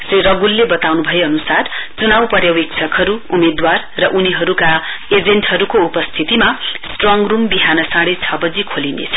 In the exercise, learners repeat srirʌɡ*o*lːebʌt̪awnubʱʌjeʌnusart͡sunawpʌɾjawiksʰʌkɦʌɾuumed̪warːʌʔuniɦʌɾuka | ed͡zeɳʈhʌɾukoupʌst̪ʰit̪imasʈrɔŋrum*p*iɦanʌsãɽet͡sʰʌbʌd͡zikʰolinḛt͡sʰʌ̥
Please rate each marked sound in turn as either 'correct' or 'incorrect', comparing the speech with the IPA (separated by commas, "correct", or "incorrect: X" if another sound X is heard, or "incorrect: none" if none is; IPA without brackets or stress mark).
incorrect: u, incorrect: b